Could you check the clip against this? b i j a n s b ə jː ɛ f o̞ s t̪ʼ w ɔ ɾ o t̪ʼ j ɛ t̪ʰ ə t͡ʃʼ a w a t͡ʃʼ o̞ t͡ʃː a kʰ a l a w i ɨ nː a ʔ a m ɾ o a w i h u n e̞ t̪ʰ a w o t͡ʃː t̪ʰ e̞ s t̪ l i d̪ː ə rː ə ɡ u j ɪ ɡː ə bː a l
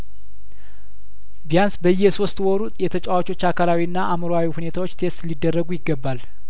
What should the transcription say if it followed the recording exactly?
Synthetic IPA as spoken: b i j a n s b ə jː ɛ s o̞ s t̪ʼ w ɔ ɾ u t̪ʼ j ɛ t̪ʰ ə t͡ʃʼ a w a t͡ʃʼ o̞ t͡ʃː a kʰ a l a w i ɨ nː a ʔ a m ɾ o a w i h u n e̞ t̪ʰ a w o t͡ʃː t̪ʰ e̞ s t̪ l i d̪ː ə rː ə ɡ u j ɪ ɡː ə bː a l